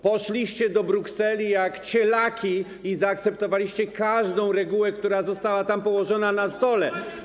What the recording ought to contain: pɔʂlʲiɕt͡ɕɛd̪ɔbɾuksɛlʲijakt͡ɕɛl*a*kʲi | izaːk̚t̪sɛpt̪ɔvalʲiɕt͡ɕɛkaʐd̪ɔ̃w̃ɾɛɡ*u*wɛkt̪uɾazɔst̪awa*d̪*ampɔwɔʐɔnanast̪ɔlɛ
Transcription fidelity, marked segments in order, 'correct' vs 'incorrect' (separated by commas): correct, correct, incorrect